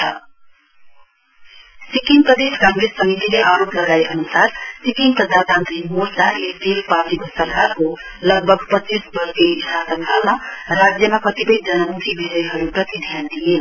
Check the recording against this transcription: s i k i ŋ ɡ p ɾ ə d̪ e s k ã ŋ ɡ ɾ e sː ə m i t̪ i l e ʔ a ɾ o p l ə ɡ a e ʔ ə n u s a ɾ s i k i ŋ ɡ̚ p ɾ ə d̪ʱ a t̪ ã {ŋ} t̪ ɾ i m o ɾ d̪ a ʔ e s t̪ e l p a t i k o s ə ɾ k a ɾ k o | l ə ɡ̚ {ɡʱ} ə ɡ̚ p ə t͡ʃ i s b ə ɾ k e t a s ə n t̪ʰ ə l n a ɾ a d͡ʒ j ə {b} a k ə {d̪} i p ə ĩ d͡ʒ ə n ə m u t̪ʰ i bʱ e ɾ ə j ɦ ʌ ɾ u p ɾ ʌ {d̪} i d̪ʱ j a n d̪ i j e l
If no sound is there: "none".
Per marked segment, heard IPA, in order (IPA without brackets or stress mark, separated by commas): n, bʱ, m, t̪, t̪